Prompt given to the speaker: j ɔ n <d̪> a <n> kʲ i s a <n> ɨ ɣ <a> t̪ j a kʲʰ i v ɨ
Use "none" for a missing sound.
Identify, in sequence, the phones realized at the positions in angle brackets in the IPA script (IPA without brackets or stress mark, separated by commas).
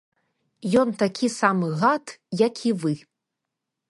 t̪, none, m, a